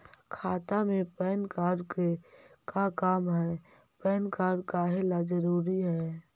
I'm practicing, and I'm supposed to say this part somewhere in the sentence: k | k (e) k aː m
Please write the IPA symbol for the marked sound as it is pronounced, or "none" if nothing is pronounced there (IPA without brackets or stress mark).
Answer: a